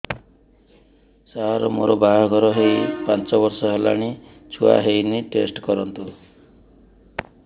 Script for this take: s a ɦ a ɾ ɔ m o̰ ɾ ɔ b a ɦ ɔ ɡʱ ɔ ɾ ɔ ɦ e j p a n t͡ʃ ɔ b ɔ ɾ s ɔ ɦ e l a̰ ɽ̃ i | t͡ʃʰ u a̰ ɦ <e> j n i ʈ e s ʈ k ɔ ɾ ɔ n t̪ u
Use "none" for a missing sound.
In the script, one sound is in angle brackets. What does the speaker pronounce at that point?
e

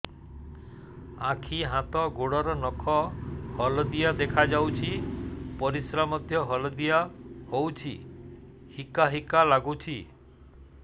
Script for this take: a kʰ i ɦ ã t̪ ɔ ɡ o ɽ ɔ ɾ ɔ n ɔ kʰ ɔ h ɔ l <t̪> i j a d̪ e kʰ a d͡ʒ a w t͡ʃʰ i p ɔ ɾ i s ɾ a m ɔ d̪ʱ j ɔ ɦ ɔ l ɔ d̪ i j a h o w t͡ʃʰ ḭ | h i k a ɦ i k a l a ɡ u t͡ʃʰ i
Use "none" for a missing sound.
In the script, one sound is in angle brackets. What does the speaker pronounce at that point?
d̪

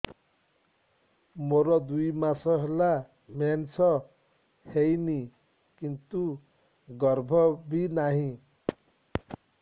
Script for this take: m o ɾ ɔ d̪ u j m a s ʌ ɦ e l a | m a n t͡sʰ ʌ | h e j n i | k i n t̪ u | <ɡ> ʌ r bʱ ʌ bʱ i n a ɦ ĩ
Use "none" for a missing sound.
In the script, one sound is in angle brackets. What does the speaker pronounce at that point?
ɡ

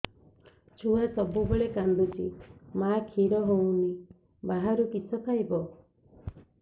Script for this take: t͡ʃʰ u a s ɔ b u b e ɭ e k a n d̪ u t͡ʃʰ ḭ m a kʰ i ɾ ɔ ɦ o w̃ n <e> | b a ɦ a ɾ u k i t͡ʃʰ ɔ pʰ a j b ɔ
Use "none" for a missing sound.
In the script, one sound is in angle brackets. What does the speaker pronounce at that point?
i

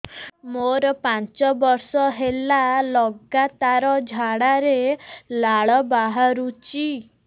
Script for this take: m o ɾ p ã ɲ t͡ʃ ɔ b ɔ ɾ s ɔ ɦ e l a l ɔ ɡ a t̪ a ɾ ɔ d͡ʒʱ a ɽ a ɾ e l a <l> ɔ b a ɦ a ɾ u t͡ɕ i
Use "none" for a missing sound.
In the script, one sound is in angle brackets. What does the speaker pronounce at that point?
ɭ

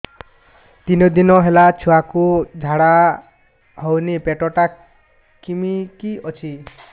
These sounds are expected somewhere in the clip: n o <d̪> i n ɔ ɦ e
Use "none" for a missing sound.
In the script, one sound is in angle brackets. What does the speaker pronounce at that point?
d̪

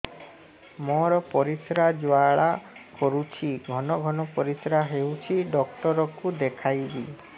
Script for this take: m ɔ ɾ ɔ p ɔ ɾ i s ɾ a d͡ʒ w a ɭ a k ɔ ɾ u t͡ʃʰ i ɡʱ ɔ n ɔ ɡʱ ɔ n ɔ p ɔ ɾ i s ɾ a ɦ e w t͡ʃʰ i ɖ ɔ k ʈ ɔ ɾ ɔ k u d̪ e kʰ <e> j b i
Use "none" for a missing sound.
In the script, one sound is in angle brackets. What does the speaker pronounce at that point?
a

